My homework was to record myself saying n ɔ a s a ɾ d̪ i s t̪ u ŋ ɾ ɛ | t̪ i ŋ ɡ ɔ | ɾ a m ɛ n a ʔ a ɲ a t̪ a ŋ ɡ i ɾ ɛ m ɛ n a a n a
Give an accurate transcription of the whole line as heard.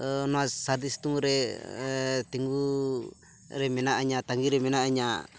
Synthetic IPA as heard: n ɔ a s a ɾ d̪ i s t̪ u ŋ ɾ ɛ | t̪ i ŋ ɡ u | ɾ ɛ m ɛ n a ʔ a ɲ a t̪ a ŋ ɡ i ɾ ɛ m ɛ n a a ɲ a